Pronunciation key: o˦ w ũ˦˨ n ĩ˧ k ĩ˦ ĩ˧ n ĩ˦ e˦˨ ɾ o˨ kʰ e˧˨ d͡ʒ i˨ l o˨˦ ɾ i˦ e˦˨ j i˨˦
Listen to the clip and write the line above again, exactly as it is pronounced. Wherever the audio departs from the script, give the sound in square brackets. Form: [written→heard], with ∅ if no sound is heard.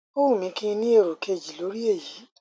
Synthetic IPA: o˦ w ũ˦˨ [n→m] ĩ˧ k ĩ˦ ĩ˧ n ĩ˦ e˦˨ ɾ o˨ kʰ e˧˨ d͡ʒ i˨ l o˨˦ ɾ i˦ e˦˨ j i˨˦

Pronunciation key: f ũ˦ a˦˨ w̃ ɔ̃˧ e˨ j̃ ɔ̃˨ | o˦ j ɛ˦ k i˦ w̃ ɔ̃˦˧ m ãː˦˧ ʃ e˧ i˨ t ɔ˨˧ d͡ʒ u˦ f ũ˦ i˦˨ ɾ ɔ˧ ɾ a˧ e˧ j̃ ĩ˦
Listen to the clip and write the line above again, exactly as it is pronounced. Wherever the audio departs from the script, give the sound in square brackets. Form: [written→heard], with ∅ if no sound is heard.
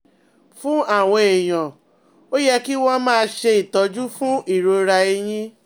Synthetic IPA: f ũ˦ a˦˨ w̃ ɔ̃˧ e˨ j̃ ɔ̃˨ | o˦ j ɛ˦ k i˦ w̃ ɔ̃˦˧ m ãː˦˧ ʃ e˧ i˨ t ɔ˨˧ d͡ʒ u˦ f ũ˦ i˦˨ ɾ [ɔ˧→o˧] ɾ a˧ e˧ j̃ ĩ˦

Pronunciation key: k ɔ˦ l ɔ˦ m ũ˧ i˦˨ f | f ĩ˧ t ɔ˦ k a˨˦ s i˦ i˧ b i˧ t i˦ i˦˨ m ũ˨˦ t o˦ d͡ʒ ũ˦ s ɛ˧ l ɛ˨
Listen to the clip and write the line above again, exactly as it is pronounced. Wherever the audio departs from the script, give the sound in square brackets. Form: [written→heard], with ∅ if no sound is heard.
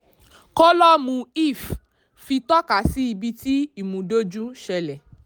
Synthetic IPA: k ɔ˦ l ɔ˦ m ũ˧ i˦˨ f | f [ĩ˧→i˧] t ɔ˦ k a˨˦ s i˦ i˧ b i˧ t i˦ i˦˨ m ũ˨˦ [t→d] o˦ d͡ʒ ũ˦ [s→ʃ] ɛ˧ l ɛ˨

